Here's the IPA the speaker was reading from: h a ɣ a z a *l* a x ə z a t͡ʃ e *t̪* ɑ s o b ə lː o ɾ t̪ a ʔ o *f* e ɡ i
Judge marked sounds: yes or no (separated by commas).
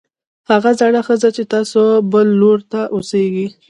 no, yes, no